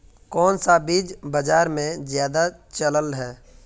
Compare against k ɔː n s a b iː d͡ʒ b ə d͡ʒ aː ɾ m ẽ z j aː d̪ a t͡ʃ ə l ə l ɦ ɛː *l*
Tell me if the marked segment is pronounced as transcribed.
no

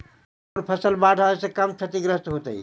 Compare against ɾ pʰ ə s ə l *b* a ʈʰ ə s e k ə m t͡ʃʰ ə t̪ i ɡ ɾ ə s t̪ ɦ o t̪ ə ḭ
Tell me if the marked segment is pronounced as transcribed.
yes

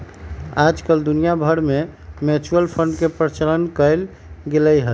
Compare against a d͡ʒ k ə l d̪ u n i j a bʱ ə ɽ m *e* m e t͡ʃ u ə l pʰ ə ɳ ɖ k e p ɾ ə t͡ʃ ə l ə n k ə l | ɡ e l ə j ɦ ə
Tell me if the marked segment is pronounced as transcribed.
yes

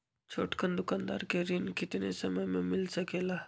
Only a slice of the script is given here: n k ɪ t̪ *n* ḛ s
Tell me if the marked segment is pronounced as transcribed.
yes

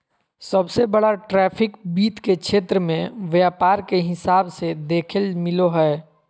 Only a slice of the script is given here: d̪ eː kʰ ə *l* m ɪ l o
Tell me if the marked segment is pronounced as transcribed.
yes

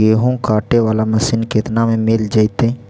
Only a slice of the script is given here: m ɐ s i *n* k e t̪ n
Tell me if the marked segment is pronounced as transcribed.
yes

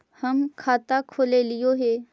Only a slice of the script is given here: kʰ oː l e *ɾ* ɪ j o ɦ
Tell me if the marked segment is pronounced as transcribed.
no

